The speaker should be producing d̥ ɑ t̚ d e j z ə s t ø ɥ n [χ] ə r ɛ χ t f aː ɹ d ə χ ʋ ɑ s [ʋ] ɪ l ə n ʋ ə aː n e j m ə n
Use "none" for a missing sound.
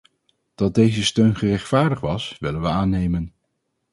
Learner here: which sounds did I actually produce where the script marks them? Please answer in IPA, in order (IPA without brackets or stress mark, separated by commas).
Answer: χ, ʋ